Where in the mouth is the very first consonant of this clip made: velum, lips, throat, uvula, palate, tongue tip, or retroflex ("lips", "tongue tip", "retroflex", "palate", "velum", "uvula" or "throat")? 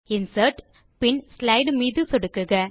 tongue tip